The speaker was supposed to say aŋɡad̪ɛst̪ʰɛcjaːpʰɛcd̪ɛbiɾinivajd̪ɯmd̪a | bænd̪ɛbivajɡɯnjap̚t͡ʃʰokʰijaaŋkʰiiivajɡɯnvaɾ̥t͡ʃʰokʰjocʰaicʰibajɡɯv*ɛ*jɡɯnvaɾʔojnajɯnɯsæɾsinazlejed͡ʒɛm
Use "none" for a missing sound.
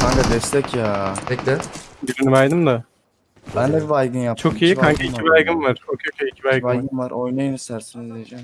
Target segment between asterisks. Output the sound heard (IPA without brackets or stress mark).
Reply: a